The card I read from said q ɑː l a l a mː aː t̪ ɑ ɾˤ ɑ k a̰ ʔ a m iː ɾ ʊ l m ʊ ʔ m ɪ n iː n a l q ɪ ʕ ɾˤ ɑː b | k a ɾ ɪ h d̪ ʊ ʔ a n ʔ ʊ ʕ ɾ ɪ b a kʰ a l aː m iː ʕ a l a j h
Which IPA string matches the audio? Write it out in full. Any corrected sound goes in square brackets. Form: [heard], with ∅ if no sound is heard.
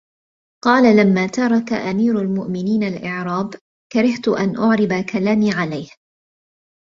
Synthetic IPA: q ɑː l a l a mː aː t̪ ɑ ɾˤ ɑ k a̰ ʔ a m iː ɾ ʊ l m ʊ ʔ m ɪ n iː n a l [ʔ] ɪ ʕ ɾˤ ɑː b | k a ɾ ɪ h [t̪] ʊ ʔ a n ʔ ʊ ʕ ɾ ɪ b a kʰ a l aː m iː ʕ a l a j h

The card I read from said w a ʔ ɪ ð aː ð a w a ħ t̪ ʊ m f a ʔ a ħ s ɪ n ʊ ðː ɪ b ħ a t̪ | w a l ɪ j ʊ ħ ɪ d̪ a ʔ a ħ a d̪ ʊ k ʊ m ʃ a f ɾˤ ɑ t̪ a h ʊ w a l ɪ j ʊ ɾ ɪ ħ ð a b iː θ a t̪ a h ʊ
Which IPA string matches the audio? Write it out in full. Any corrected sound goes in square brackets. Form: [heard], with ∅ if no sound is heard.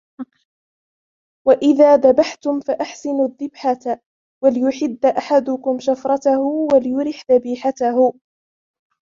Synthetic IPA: w a ʔ ɪ ð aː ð a [b] a ħ t̪ ʊ m f a ʔ a ħ s ɪ n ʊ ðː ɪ b ħ a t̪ | w a l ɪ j ʊ ħ ɪ [d̪ː] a ʔ a ħ a d̪ ʊ k ʊ m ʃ a f ɾˤ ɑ t̪ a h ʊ w a l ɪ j ʊ ɾ ɪ ħ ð a b iː [ħ] a t̪ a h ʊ

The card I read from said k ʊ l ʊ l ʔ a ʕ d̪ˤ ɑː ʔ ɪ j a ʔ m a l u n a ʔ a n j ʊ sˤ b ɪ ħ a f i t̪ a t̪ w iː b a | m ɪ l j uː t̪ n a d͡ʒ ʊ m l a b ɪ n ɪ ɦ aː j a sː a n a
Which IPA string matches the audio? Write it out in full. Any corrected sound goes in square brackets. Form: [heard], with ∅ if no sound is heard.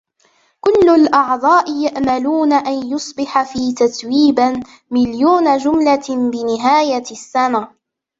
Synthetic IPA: k ʊ [lː] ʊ l ʔ [ɑ] ʕ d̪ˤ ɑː ʔ ɪ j a ʔ m a l [uː] n a ʔ a n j ʊ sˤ b ɪ ħ a f [iː] t̪ a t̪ w iː b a | m ɪ l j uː [∅] n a d͡ʒ ʊ m l a b ɪ n ɪ ɦ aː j a sː a n a

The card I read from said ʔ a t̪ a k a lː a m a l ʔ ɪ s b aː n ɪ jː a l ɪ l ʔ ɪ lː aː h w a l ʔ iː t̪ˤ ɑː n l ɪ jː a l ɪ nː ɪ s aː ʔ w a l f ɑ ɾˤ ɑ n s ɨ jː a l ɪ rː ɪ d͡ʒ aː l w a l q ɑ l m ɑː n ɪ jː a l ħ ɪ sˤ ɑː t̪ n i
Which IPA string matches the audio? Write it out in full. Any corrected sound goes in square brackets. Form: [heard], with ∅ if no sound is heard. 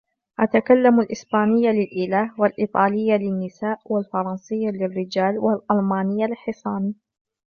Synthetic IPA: ʔ a t̪ a k a lː a m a l ʔ ɪ s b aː n ɪ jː a l ɪ l ʔ ɪ [l] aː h w a l ʔ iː t̪ˤ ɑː [∅] l ɪ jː a l ɪ nː ɪ s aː ʔ w a l f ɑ ɾˤ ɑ n s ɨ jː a l ɪ rː ɪ d͡ʒ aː l w a l [ʔ] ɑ l m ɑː n ɪ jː a l ħ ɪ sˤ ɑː [∅] n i

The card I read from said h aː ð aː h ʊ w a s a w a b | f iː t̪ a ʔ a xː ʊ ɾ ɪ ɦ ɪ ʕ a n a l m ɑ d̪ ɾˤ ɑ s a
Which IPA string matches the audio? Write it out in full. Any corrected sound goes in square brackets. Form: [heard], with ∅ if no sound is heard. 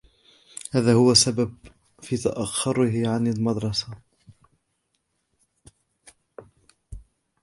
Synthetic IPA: h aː ð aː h ʊ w a s a [b] a b | f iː t̪ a ʔ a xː ʊ ɾ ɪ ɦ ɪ ʕ a n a l m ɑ d̪ ɾˤ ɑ s a

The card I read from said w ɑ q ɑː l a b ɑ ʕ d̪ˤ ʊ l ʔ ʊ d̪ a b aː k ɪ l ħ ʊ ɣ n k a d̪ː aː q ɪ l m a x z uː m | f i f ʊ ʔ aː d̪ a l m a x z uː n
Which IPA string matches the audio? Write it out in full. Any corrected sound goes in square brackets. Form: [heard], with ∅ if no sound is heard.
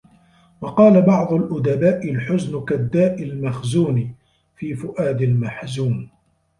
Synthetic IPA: w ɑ q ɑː l a b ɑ ʕ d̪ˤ ʊ l ʔ ʊ d̪ a b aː [ʔ] ɪ l ħ ʊ [z] n k a d̪ː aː [ʔ] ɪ l m a x z uː [n] | f [iː] f ʊ ʔ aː d̪ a l m a [ħ] z uː n

